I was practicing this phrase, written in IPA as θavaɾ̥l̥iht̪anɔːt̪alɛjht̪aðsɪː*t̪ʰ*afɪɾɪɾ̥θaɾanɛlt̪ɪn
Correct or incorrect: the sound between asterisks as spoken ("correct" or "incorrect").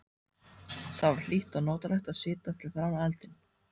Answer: incorrect